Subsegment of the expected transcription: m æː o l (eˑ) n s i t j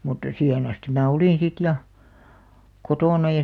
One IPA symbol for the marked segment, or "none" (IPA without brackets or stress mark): iˑ